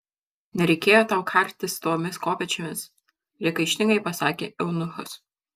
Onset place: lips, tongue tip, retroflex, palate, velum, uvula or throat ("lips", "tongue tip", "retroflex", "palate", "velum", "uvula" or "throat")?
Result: tongue tip